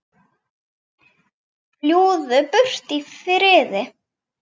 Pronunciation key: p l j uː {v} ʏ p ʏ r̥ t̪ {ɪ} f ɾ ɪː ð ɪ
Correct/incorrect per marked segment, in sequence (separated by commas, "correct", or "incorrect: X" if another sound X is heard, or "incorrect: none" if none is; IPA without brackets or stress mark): incorrect: ð, incorrect: i